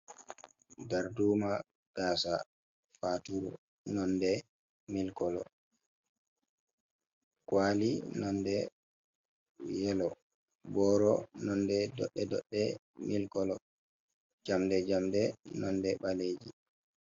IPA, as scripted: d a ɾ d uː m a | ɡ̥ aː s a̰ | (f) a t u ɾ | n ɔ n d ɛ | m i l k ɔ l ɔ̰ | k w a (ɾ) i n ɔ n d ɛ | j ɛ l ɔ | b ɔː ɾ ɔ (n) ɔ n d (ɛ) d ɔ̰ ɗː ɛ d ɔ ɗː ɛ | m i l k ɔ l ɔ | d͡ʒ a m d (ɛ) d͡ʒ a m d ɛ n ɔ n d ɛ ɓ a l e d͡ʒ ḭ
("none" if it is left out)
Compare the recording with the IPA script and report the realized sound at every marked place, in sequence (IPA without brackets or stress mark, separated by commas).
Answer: f, l, n, ɛ, ɛ